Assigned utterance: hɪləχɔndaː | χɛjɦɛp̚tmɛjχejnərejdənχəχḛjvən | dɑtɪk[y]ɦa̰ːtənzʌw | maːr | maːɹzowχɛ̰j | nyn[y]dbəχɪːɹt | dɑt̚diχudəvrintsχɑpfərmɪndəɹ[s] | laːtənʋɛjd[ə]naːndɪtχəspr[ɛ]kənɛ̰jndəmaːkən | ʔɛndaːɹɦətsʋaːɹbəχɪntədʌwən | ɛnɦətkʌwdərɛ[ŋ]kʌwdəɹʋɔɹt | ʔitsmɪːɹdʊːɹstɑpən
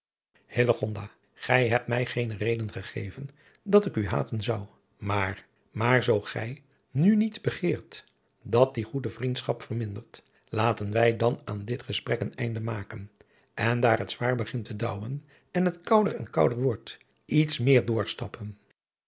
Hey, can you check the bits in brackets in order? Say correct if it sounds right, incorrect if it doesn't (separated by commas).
correct, incorrect, incorrect, incorrect, correct, incorrect